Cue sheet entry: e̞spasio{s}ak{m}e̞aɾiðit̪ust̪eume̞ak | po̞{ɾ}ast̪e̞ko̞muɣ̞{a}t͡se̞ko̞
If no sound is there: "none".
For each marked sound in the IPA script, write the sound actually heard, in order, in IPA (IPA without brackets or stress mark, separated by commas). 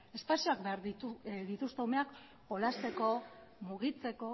none, b, l, i